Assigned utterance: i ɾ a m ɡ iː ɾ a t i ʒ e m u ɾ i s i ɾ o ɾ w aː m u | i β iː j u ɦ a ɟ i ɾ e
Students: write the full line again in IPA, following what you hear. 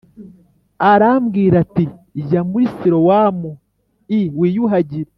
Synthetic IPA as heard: a ɾ a m ɡ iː ɾ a t i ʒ a m u ɾ i s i ɾ o w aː m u | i w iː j u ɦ a ɟ i ɾ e